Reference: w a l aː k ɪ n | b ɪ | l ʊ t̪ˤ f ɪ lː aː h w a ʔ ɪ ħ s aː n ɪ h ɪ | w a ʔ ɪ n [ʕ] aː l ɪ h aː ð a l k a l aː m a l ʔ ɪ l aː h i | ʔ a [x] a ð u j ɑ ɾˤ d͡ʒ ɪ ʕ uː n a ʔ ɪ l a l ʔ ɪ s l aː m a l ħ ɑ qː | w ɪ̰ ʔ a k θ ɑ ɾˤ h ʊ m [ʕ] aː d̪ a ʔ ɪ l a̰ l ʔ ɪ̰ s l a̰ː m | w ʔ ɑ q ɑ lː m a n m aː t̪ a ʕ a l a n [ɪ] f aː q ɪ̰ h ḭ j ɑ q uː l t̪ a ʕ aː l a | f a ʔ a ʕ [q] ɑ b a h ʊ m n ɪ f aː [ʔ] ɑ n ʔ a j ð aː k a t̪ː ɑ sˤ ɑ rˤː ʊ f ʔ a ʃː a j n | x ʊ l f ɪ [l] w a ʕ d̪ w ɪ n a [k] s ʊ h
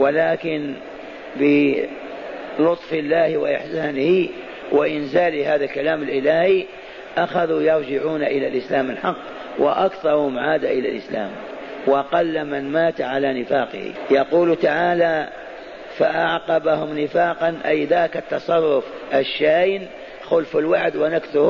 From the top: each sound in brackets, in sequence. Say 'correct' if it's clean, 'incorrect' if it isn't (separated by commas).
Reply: incorrect, correct, correct, correct, correct, incorrect, correct, correct